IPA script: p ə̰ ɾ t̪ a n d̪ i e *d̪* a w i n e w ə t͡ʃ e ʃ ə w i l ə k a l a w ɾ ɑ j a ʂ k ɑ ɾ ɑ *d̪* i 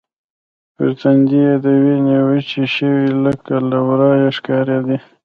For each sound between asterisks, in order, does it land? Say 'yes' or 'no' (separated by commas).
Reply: yes, yes